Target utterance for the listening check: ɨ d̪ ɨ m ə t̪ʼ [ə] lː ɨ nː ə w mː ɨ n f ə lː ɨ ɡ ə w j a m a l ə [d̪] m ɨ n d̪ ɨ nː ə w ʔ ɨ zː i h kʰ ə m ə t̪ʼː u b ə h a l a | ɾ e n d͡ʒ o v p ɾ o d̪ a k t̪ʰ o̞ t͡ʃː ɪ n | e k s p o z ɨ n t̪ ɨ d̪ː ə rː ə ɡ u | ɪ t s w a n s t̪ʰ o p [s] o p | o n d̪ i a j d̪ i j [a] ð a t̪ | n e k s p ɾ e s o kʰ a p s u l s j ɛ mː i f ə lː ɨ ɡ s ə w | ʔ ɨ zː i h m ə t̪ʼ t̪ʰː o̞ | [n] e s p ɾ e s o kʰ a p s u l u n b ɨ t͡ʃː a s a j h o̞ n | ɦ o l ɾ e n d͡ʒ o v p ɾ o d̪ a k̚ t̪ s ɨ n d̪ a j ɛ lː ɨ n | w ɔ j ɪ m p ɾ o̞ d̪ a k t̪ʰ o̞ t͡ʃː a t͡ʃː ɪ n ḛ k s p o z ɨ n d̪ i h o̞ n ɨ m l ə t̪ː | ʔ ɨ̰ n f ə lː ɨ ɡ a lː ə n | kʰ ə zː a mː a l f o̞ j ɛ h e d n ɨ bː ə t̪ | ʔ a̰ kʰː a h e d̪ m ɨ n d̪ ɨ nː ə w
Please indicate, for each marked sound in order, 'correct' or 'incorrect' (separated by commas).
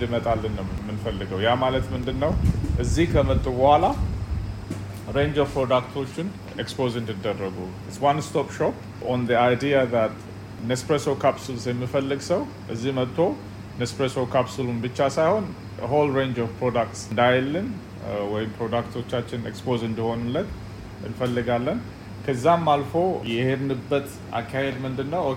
incorrect, incorrect, incorrect, correct, correct